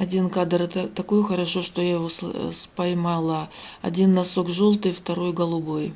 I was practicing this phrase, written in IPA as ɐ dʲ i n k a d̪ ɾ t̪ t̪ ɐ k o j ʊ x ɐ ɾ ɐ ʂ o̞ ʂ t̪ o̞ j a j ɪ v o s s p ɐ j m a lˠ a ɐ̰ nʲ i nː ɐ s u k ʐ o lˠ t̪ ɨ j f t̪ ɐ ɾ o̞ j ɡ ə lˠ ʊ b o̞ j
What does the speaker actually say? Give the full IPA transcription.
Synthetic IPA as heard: ɐ dʲ i n k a d̪ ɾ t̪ t̪ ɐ k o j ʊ x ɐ ɾ ɐ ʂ o̞ ʂ t̪ o̞ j a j ɪ v o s s p ɐ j m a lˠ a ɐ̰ dʲ i nː ɐ s o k ʐ o lˠ t̪ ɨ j f t̪ ɐ ɾ o̞ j ɡ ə lˠ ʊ b o̞ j